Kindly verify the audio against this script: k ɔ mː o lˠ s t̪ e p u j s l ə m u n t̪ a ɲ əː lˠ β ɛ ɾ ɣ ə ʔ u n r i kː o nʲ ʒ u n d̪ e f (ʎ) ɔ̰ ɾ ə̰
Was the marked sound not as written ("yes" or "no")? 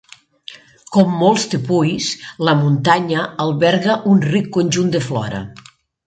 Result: yes